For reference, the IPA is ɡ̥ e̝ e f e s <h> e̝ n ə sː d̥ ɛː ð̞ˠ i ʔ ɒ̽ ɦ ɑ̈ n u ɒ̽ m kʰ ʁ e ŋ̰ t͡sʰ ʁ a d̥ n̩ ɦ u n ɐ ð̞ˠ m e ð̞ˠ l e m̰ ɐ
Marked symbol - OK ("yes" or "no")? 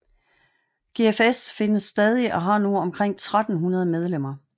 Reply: no